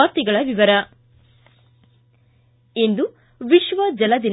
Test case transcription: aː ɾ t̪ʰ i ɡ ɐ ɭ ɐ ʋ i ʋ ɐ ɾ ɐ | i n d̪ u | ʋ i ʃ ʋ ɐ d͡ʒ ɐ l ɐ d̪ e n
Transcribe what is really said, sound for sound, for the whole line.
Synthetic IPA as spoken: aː ɾ t̪ i ɡ ɐ ɭ ɐ ʋ i ʋ ɐ ɾ ɐ | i n d̪ u | ʋ i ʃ ʋ ɐ d͡ʒ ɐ l ɐ d̪ i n